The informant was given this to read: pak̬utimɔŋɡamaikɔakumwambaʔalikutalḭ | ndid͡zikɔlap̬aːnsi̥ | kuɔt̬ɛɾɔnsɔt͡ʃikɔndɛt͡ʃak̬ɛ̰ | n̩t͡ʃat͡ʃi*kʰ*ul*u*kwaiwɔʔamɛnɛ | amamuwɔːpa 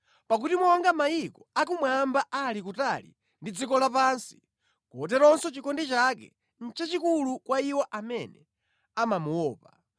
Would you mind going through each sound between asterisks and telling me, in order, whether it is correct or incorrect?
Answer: incorrect, correct

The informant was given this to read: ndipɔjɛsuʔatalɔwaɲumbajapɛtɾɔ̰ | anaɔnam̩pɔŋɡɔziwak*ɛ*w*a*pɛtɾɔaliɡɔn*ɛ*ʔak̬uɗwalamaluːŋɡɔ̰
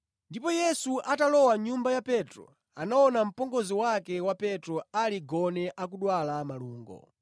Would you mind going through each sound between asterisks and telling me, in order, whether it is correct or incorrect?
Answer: correct, correct, correct

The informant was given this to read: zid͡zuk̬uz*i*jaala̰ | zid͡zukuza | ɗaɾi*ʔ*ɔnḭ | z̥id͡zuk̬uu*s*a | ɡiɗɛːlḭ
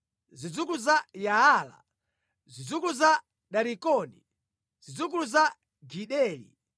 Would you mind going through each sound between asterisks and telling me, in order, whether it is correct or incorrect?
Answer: incorrect, incorrect, incorrect

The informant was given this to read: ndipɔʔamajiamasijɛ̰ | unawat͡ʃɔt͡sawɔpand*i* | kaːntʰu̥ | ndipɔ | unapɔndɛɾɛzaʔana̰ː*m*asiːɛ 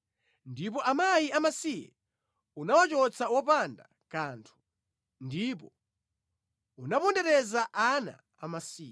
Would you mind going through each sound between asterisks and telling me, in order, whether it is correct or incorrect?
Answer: incorrect, correct

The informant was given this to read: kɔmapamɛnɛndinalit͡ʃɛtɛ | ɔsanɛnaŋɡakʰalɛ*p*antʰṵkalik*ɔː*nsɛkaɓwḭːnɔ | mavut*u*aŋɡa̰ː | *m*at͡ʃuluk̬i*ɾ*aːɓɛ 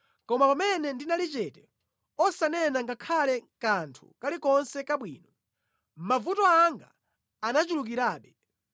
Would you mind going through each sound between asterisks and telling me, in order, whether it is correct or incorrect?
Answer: incorrect, incorrect, incorrect, incorrect, correct

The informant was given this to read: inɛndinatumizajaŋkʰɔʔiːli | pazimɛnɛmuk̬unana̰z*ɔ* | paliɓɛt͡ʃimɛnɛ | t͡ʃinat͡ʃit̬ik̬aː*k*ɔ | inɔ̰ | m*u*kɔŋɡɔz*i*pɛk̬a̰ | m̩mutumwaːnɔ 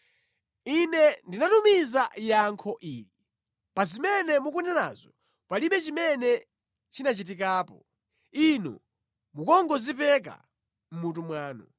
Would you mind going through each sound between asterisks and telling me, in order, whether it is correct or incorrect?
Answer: correct, incorrect, correct, correct

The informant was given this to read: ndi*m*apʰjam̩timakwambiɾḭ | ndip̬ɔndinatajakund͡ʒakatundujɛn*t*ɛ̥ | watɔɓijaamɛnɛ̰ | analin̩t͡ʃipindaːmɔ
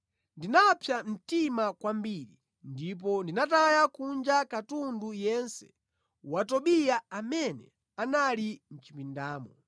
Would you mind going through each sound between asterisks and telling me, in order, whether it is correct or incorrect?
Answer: incorrect, incorrect

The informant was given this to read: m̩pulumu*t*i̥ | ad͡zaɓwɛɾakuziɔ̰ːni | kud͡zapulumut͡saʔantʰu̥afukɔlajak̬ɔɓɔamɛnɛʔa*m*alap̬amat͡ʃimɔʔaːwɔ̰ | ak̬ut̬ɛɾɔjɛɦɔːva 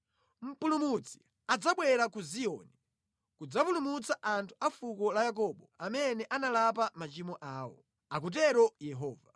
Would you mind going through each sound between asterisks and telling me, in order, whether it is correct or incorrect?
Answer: incorrect, incorrect

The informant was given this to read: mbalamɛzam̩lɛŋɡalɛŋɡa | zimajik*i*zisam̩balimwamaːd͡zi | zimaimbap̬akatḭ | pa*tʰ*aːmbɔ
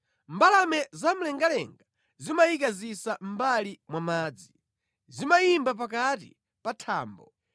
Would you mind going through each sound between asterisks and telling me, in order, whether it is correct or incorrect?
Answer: incorrect, correct

